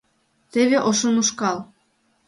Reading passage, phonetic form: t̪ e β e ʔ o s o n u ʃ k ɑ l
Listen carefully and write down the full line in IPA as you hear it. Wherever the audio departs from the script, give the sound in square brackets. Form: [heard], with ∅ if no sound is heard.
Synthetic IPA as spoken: t̪ e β e ʔ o [ʃ] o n u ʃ k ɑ l